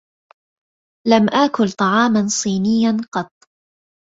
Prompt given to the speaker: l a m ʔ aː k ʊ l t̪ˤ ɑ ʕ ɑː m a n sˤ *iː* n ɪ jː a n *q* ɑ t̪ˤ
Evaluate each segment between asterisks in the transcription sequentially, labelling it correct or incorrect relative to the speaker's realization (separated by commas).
correct, correct